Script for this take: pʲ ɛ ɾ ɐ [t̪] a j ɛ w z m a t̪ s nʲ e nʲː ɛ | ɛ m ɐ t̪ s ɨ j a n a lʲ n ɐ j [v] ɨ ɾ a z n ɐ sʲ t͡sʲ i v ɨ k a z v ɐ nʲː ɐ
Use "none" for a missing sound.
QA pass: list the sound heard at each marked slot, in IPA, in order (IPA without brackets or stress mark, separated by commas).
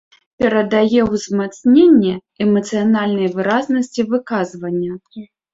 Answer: d̪, v